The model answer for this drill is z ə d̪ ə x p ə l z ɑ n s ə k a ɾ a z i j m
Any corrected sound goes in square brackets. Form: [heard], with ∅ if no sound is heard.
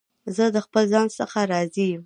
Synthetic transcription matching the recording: z ə d̪ ə x p ə l z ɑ n s ə [x] a ɾ [ɑ] z i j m